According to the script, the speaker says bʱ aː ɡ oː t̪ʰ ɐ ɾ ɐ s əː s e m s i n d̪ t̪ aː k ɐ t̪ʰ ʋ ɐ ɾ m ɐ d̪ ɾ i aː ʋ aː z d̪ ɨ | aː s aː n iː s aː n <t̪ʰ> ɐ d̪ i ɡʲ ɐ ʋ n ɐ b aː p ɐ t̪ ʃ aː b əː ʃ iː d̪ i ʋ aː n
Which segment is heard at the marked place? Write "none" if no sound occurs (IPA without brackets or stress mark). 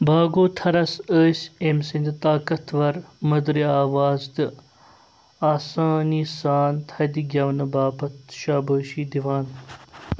t̪ʰ